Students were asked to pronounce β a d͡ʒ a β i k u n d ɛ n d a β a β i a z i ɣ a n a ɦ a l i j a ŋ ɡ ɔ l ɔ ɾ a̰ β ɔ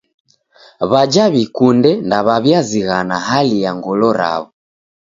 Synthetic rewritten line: β a d͡ʒ a β i k u n d ɛ n d a β a β j a z i ɣ a n a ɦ a l i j a ŋ ɡ ɔ l ɔ ɾ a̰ β ɔ